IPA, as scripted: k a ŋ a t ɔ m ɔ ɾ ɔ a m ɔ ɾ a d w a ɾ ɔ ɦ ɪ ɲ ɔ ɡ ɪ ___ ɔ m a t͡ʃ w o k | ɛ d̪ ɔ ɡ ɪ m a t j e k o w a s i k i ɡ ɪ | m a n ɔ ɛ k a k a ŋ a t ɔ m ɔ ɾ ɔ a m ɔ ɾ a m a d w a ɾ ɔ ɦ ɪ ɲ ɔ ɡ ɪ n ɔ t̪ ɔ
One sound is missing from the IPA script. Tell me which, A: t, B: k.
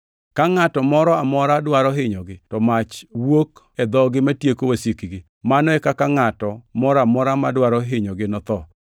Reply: A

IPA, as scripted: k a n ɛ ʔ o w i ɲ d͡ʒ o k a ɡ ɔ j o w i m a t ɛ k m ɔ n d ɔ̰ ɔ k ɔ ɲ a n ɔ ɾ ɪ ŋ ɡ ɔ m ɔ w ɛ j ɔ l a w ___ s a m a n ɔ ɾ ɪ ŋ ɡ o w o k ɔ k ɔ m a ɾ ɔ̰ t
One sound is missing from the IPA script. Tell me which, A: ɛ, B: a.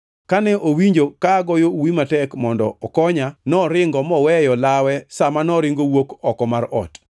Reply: A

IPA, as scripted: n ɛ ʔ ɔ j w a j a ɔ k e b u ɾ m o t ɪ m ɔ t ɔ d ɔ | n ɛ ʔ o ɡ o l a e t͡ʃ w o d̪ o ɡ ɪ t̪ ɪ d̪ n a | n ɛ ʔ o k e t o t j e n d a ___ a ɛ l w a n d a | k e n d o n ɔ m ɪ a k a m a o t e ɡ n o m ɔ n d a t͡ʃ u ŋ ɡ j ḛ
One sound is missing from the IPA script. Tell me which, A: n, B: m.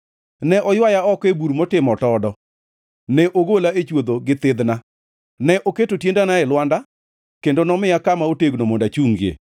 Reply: A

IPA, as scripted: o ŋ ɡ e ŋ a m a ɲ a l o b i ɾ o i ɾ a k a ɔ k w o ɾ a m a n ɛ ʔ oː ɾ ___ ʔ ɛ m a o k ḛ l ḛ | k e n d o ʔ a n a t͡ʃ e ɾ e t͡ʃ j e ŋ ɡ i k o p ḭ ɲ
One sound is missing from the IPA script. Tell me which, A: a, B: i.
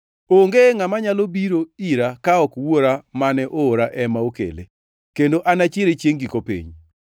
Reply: A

